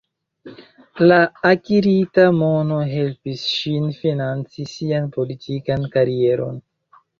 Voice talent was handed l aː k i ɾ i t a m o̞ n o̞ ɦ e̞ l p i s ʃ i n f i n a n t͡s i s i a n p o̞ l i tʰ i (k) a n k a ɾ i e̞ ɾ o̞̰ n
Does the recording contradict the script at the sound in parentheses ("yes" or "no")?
no